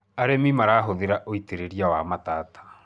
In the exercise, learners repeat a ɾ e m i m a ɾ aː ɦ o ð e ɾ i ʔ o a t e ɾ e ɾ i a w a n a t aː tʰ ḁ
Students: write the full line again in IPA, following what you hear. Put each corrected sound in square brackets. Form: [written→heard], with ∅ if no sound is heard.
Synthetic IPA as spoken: a ɾ e m i m a ɾ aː ɦ o ð e ɾ [i→a] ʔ o [a→i] t e ɾ e ɾ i a w a [n→m] a t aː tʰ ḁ